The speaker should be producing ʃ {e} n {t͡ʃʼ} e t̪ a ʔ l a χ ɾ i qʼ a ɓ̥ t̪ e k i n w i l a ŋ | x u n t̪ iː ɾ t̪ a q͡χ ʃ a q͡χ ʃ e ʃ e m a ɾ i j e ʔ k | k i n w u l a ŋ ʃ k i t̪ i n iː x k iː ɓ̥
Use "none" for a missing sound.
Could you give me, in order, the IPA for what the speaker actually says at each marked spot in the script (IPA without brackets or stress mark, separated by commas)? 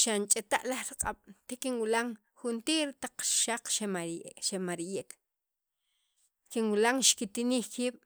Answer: a, t͡ʃʼ